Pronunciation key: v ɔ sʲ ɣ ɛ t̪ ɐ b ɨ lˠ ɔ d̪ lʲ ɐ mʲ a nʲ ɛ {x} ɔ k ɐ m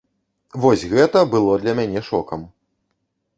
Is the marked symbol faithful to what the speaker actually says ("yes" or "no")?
no